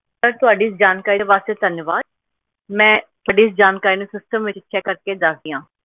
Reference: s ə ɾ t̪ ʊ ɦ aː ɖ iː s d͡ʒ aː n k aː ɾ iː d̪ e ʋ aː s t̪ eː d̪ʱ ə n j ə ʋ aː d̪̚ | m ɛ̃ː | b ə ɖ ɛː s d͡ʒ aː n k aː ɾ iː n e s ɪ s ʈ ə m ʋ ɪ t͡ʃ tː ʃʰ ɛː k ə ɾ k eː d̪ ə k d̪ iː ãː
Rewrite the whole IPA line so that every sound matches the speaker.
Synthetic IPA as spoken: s ə ɾ t̪ ʊ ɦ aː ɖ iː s d͡ʒ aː n k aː ɾ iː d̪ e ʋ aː s t̪ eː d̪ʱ ə n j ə ʋ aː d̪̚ | m ɛ̃ː | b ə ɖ iː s d͡ʒ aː n k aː ɾ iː n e s ɪ s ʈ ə m ʋ ɪ t͡ʃ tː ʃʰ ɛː k ə ɾ k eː d̪ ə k d̪ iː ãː

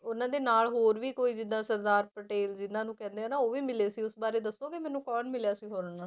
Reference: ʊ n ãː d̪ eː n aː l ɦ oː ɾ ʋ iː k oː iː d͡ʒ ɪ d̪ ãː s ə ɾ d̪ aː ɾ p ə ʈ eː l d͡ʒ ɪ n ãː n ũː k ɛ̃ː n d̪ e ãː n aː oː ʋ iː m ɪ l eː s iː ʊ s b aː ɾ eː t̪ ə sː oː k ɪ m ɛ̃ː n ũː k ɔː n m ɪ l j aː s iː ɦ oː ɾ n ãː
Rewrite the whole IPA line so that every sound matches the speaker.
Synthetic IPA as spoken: ʊ n ãː d̪ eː n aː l ɦ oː ɾ ʋ iː k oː iː d͡ʒ ɪ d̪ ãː s ə ɾ d̪ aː ɾ p ə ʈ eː l d͡ʒ ɪ n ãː n ũː k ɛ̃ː n d̪ e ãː n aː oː ʋ iː m ɪ l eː s iː ʊ s b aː ɾ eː d̪ ə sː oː k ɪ m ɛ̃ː n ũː k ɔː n m ɪ l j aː s iː ɦ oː ɾ n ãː

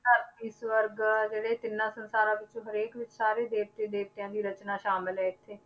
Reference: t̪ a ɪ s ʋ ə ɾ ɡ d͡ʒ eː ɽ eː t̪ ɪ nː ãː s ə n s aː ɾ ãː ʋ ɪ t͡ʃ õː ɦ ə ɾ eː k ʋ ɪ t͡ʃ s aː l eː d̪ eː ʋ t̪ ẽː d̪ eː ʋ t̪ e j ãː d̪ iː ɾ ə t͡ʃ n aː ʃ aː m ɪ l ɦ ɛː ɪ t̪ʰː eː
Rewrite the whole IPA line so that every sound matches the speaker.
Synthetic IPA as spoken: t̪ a ɪ s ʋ ə ɾ ɡ d͡ʒ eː ɽ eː t̪ ɪ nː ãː s ə n s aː ɾ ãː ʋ ɪ t͡ʃ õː ɦ ə ɾ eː k ʋ ɪ t͡ʃ s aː ɾ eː d̪ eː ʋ t̪ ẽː d̪ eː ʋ t̪ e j ãː d̪ iː ɾ ə t͡ʃ n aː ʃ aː m ɪ l ɦ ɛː ɪ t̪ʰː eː

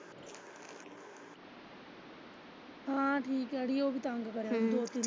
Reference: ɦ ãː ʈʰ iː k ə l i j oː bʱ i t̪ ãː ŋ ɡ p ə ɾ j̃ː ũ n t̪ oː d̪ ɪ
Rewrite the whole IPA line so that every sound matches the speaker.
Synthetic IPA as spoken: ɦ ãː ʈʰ iː k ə ɽ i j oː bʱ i t̪ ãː ŋ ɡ k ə ɾ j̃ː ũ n d̪ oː t̪ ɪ

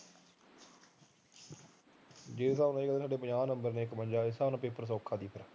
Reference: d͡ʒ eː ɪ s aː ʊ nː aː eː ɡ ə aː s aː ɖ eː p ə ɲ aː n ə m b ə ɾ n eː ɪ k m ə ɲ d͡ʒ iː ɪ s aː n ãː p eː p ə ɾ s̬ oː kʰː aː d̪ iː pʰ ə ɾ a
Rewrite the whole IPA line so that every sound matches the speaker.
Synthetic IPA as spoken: d͡ʒ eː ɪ s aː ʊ n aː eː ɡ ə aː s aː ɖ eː p ə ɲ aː n ə m b ə ɾ n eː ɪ k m ə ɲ d͡ʒ aː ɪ s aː n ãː p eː p ə ɾ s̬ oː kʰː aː d̪ iː pʰ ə ɾ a

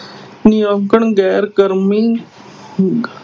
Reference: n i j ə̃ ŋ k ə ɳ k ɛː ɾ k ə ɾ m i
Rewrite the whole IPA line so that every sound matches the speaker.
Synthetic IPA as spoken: n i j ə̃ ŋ k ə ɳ ɡ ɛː ɾ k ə ɾ m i

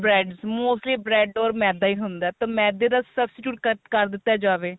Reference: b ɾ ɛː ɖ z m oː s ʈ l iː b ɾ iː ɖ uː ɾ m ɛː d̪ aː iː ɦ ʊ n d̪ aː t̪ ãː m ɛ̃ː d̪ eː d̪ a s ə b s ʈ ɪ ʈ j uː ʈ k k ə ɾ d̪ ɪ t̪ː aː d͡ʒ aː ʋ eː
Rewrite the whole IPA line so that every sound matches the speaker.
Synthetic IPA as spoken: b ɾ ɛː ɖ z m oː s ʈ l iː b ɾ ɛː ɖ ɔː ɾ m ɛː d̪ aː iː ɦ ʊ n d̪ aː t̪ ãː m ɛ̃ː d̪ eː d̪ a s ə b s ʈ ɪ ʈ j uː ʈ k k ə ɾ d̪ ɪ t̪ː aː d͡ʒ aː ʋ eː

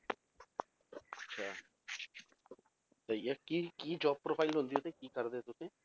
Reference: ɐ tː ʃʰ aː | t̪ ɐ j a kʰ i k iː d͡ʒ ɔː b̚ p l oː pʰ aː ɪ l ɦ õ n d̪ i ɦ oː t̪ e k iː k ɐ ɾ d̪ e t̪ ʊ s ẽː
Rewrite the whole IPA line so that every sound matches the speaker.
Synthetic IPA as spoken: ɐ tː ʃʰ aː | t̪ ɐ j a k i k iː d͡ʒ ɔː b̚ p ɾ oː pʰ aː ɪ l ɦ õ n d̪ i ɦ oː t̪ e k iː k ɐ ɾ d̪ e t̪ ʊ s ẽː

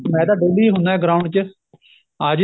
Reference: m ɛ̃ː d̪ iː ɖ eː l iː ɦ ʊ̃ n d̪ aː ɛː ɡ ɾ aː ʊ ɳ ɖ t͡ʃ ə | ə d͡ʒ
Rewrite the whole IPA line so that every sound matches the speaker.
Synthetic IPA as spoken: m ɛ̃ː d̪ aː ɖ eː l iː ɦ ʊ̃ n d̪ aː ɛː ɡ ɾ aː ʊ ɳ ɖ t͡ʃ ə | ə d͡ʒ

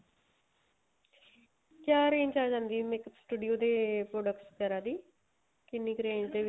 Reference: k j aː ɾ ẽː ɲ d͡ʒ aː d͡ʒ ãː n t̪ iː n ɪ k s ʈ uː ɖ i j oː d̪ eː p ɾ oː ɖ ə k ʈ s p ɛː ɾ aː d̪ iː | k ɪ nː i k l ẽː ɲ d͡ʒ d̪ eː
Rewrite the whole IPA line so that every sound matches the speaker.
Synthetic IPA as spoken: k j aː ɾ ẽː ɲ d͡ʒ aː d͡ʒ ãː n d̪ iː m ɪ k s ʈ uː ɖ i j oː d̪ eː p ɾ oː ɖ ə k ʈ s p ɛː ɾ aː d̪ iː | k ɪ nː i k ɾ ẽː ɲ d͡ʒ d̪ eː

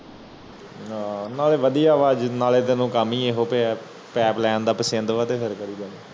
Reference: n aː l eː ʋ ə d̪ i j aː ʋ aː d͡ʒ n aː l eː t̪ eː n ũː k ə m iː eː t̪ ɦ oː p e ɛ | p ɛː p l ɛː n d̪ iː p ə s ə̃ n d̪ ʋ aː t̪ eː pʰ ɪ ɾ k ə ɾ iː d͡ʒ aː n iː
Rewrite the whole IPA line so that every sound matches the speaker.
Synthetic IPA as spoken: n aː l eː ʋ ə d̪ i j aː ʋ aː d͡ʒ n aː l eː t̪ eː n ũː k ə m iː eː ɦ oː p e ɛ | p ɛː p l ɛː n d̪ aː p ə s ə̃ n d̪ ʋ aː t̪ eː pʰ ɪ ɾ k ə ɾ iː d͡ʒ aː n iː

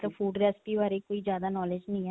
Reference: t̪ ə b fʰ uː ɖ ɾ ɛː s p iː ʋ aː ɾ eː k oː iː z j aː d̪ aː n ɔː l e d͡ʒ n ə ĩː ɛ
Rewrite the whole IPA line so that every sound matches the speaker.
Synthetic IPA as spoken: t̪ ə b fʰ uː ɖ ɾ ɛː s p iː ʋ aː ɾ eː k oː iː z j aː d̪ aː n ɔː l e d͡ʒ n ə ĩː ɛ

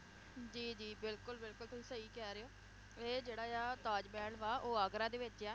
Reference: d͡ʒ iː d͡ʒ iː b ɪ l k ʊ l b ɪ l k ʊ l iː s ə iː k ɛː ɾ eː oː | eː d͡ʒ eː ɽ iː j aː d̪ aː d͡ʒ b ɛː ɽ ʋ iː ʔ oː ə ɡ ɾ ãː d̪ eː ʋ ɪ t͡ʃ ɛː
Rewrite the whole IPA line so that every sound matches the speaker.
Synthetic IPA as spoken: d͡ʒ iː d͡ʒ iː b ɪ l k ʊ l b ɪ l k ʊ l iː s ə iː k ɛː ɾ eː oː | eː d͡ʒ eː ɽ aː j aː t̪ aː d͡ʒ b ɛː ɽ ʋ aː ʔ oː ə ɡ ɾ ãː d̪ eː ʋ ɪ t͡ʃ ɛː

